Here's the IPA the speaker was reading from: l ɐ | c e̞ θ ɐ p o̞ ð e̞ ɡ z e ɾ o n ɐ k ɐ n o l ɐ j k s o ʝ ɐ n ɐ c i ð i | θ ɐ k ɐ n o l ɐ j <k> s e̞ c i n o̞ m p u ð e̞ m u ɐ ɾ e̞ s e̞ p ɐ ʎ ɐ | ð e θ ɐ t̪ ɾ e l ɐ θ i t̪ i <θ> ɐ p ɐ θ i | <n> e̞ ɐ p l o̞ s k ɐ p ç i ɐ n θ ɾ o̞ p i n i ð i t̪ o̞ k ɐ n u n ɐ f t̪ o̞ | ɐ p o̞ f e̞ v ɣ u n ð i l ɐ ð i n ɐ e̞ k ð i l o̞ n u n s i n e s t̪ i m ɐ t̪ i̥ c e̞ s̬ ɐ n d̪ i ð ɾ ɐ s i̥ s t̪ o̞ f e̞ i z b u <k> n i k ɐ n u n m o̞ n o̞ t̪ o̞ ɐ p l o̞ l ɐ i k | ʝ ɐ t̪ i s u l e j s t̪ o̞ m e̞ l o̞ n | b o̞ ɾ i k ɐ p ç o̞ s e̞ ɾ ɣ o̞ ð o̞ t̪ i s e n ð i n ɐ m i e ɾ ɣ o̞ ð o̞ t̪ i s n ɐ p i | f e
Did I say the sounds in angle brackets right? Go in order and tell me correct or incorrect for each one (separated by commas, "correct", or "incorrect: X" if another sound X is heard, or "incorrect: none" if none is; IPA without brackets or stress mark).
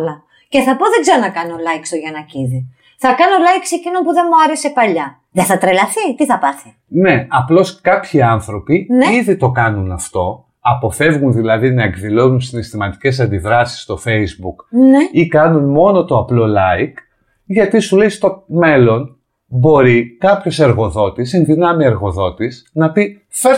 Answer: correct, correct, correct, correct